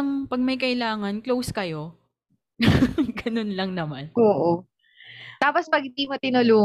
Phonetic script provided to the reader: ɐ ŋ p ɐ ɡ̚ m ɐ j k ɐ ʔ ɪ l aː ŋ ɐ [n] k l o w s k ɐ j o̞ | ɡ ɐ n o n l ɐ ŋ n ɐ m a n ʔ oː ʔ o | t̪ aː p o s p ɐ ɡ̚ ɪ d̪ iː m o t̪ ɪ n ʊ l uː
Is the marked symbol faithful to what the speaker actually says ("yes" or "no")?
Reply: yes